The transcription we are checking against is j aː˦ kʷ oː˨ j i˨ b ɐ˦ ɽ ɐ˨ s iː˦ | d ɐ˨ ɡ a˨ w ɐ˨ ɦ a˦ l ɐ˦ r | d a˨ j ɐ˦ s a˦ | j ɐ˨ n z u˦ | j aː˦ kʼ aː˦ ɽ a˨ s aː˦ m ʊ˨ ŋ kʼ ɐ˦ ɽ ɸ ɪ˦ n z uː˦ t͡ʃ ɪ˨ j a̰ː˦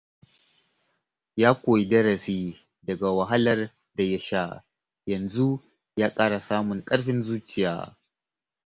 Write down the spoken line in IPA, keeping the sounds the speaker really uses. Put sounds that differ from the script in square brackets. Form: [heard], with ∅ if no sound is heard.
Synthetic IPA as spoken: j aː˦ kʷ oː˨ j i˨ [d] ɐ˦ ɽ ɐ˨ s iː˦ | d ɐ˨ ɡ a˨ w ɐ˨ ɦ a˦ l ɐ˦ r | d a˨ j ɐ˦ [ʃ] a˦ | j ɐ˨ n z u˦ | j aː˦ kʼ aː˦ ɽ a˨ s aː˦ m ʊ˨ ŋ kʼ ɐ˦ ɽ ɸ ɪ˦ n z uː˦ t͡ʃ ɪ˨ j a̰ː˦